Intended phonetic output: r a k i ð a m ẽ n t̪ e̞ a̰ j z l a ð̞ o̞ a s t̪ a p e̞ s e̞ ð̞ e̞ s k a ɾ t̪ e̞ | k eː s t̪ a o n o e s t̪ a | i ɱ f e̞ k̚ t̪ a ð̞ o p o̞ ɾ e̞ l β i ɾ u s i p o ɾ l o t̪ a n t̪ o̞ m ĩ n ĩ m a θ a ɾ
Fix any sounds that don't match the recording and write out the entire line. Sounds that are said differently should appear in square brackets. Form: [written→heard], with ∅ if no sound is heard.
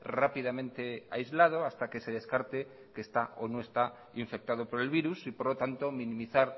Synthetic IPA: r a [k→p] i ð a m ẽ n t̪ e̞ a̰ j z l a ð̞ o̞ a s t̪ a [p→k] e̞ s e̞ ð̞ e̞ s k a ɾ t̪ e̞ | k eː s t̪ a o n o e s t̪ a | i ɱ f e̞ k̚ t̪ a ð̞ o p o̞ ɾ e̞ l β i ɾ u s i p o ɾ l o t̪ a n t̪ o̞ m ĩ n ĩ m [a→i] θ a ɾ